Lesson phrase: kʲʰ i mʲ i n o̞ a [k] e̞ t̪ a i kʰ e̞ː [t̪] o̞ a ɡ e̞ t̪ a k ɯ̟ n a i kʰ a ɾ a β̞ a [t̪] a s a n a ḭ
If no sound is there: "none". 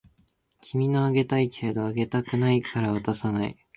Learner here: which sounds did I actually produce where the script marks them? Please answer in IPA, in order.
ɡ, d̪, t̪

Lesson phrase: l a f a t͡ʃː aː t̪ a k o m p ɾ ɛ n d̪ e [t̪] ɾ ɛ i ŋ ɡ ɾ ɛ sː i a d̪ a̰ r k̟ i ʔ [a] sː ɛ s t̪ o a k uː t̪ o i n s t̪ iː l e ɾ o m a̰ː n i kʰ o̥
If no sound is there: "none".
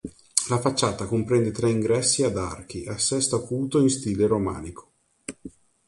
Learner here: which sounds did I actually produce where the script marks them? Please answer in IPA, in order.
t̪, a

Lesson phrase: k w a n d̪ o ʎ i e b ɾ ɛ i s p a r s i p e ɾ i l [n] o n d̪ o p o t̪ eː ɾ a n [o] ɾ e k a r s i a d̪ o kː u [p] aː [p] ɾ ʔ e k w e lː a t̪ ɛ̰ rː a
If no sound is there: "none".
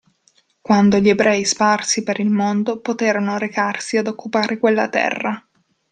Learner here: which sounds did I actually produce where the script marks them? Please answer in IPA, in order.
m, o, p, none

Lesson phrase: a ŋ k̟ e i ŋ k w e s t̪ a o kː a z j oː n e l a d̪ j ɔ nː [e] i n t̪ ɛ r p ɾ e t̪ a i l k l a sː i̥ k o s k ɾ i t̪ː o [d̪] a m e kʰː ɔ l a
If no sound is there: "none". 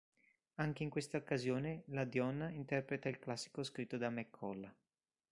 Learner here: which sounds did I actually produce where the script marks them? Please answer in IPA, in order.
a, d̪

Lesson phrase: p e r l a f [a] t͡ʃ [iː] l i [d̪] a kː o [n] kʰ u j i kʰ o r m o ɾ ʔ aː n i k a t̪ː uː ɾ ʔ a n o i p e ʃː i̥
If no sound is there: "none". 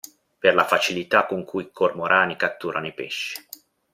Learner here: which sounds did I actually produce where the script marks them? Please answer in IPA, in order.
a, i, t̪, ŋ

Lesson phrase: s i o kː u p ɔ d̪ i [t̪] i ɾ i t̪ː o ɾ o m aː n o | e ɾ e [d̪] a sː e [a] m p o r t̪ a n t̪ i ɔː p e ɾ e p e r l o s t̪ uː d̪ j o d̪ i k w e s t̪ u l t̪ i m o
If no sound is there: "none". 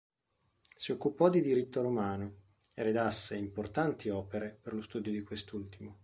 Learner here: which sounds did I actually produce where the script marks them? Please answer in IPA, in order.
d̪, d̪, i

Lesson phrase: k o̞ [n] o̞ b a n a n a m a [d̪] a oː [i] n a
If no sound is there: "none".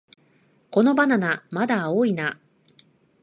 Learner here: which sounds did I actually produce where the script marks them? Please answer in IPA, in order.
n, d̪, i

